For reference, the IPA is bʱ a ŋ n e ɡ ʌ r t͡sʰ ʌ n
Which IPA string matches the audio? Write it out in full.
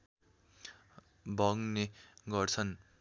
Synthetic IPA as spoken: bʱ ʌ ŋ n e ɡ ʌ r t͡sʰ ʌ n